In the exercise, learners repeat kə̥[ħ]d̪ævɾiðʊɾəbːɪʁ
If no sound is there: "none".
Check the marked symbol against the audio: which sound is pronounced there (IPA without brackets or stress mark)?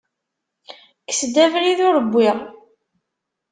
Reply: s